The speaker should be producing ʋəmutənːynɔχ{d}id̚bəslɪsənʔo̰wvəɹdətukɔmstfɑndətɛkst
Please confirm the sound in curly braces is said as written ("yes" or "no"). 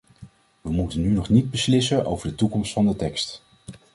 no